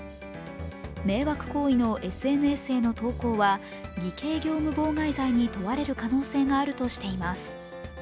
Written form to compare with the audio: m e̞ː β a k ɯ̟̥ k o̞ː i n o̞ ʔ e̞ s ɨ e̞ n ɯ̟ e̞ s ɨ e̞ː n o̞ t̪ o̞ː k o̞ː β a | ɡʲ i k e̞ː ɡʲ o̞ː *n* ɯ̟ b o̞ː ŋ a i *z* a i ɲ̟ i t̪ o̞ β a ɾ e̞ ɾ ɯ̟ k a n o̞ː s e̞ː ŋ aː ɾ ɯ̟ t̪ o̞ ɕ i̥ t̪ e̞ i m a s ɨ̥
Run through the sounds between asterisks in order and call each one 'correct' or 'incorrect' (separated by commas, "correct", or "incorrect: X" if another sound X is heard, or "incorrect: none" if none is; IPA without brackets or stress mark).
incorrect: m, correct